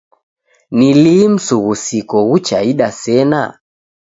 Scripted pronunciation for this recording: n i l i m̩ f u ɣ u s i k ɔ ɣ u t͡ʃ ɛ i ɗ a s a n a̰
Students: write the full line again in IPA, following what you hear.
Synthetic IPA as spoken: n i l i m̩ s u ɣ u s i k ɔ ɣ u t͡ʃ a i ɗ a s ɛ n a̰

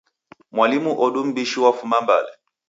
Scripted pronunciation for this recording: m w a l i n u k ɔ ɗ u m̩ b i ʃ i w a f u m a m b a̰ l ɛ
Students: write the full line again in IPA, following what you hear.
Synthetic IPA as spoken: m w a l i m u ʔ ɔ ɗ u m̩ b i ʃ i w a f u m a m b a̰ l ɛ

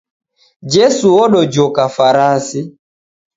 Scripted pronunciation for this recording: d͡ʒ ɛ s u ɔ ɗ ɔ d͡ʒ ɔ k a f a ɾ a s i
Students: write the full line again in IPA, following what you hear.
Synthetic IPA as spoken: d͡ʒ ɛ s u ɔ ɗ ɔ d͡ʒ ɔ k a f a ɾ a s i

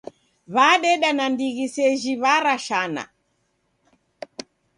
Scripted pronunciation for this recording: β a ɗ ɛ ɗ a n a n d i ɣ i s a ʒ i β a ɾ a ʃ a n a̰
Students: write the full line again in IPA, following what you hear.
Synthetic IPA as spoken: β a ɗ ɛ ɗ a n a n d i ɣ i s ɛ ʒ i β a ɾ a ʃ a n a̰

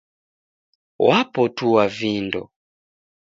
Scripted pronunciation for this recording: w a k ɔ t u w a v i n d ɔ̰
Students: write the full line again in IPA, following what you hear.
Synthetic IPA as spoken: w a p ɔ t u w a v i n d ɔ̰

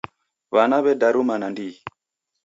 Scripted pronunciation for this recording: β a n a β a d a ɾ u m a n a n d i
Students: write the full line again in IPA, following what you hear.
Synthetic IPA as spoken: β a n a β ɛ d a ɾ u m a n a n d i

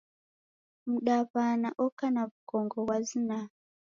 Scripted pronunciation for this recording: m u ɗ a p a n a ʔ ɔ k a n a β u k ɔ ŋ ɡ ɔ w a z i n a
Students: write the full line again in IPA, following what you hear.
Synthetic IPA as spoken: m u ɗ a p a n a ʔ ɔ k a n a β u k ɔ ŋ ɡ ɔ w a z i n a

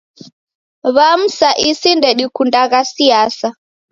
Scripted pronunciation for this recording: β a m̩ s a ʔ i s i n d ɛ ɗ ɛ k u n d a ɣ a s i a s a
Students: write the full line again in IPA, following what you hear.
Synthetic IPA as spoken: β a m̩ s a ʔ i s i n d ɛ ɗ i k u n d a ɣ a s i a s a

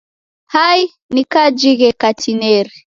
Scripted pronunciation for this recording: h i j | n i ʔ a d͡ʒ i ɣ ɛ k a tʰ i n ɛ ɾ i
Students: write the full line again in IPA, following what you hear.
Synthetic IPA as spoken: h a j | n i k a d͡ʒ i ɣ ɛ k a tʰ i n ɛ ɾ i

